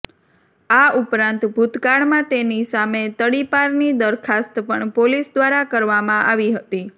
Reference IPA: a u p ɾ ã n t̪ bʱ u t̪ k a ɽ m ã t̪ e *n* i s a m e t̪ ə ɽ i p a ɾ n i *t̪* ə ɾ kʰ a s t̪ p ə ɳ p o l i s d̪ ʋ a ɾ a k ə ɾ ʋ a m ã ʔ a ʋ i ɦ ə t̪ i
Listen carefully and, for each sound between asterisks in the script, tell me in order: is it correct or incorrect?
correct, incorrect: d̪

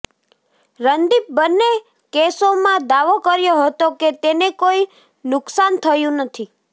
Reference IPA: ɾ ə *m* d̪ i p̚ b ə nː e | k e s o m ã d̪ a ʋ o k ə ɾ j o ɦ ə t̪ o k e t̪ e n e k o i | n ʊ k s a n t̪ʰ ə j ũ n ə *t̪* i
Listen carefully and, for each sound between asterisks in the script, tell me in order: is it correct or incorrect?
incorrect: n, incorrect: t̪ʰ

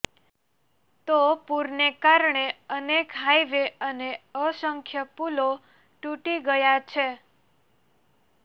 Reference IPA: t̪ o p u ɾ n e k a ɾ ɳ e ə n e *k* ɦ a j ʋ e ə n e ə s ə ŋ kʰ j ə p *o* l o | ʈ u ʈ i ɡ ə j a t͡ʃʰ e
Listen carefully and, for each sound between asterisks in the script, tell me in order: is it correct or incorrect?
correct, incorrect: u

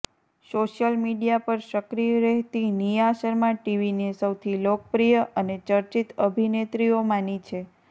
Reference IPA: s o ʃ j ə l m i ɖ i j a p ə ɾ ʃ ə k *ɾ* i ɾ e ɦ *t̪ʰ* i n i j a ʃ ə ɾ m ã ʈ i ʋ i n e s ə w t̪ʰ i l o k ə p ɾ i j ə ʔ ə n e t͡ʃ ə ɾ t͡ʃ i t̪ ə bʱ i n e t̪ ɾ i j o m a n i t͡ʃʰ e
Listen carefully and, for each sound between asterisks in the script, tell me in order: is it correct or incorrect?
correct, incorrect: t̪

